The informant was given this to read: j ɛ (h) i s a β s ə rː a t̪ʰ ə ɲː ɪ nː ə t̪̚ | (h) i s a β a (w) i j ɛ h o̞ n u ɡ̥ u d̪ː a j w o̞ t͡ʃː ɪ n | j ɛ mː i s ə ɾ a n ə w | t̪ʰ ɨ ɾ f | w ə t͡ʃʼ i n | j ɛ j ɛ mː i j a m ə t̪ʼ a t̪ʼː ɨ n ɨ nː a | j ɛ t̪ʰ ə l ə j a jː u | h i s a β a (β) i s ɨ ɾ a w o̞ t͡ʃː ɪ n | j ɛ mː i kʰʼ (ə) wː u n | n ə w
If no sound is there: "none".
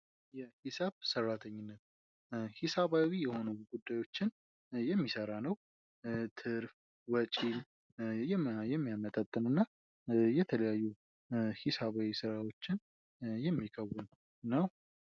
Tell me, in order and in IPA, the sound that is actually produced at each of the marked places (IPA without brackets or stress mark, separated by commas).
h, h, w, w, ə